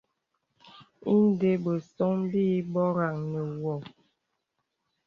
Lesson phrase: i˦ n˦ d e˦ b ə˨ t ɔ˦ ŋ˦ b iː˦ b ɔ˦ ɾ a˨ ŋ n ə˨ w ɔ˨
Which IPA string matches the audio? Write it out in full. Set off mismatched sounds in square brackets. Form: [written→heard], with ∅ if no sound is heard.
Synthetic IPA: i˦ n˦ d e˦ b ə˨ [t→s] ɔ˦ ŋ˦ b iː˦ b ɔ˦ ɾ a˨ ŋ n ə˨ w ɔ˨